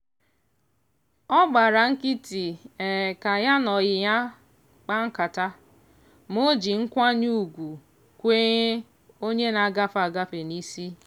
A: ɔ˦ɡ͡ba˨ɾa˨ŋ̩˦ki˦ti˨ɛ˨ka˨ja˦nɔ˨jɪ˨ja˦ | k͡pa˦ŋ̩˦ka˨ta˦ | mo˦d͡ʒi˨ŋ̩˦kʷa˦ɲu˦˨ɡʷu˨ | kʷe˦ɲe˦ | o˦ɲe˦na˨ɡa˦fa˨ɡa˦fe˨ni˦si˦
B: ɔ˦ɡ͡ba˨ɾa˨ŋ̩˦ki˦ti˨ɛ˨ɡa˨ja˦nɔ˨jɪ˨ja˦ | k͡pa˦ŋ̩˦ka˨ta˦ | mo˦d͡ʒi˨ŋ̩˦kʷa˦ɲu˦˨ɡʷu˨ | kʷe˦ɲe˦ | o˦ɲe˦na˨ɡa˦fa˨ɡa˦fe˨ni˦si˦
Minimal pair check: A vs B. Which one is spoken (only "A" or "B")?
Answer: A